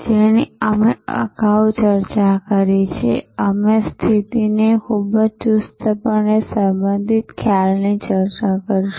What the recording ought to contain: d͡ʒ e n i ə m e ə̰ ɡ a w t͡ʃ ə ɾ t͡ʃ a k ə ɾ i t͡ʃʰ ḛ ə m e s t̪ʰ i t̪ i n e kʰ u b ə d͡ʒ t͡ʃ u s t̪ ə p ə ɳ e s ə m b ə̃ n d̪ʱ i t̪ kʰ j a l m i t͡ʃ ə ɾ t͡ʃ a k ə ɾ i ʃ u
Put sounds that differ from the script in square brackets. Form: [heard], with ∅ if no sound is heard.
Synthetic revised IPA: d͡ʒ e n i ə m e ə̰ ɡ a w t͡ʃ ə ɾ t͡ʃ a k ə ɾ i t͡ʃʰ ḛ ə m e s t̪ʰ i t̪ i n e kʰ u b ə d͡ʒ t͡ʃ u s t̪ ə p ə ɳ e s ə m b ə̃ n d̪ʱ i t̪ kʰ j a l [n] i t͡ʃ ə ɾ t͡ʃ a k ə ɾ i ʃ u